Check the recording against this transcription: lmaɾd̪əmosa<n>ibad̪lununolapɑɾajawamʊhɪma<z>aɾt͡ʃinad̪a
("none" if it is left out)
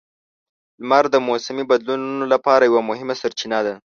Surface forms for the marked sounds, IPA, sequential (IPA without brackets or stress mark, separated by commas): m, s